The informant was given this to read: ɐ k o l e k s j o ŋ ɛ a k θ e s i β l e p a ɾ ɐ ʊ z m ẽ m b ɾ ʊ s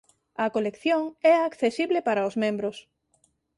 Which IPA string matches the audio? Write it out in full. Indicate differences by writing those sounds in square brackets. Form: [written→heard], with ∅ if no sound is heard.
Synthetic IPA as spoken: ɐ k o l e k [s→θ] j o ŋ ɛ a k θ e s i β l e p a ɾ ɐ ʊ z m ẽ m b ɾ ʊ s